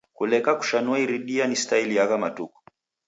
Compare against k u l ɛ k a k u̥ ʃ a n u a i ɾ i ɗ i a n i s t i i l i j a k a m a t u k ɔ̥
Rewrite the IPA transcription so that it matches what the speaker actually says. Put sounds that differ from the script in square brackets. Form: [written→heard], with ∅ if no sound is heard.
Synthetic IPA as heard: k u l ɛ k a k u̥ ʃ a n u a i ɾ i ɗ i a n i s t [i→a] i l i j a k a m a t u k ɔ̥